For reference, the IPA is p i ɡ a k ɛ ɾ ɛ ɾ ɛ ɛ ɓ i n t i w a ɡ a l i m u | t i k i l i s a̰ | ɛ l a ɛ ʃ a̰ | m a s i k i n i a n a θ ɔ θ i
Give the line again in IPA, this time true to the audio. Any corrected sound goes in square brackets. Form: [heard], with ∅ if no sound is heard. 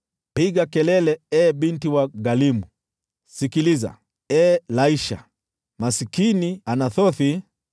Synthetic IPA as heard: p i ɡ a k ɛ [l] ɛ [l] ɛ ɛ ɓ i n t i w a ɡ a l i m u | [s] i k i l i [z] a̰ | ɛ l a [i] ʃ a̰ | m a s i k i n i a n a θ ɔ θ i